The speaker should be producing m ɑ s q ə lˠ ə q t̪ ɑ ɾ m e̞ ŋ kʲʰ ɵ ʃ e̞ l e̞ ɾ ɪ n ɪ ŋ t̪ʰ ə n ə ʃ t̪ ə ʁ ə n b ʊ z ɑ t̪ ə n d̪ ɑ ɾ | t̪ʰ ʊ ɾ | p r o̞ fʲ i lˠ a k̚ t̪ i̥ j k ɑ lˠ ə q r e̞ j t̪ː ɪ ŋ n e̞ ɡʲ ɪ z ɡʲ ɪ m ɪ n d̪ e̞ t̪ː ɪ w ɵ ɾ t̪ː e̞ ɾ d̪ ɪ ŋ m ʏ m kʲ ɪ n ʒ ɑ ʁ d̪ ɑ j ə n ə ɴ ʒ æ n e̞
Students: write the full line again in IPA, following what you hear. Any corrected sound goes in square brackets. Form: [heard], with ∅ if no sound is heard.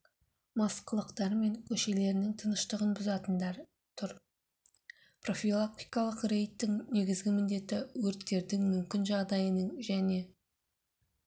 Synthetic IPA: m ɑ s q ə lˠ ə q t̪ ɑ ɾ m e̞ ŋ kʲʰ ɵ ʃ e̞ l e̞ ɾ ɪ n ɪ ŋ t̪ʰ ə n ə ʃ t̪ ə ʁ ə n b ʊ z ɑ t̪ ə n d̪ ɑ ɾ | t̪ʰ ʊ ɾ | p r o̞ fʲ i lˠ a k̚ t̪ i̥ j k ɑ lˠ ə q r e̞ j t̪ː ɪ ŋ n e̞ ɡʲ ɪ z ɡʲ ɪ m ɪ n d̪ e̞ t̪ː ɪ w ɵ ɾ t̪ː e̞ ɾ d̪ ɪ ŋ m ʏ m kʲ ɪ n ʒ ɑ ʁ d̪ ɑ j ə n ə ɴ ʒ æ n e̞